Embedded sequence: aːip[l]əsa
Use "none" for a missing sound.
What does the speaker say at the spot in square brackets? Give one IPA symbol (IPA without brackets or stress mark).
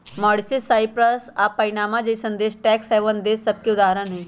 ɾ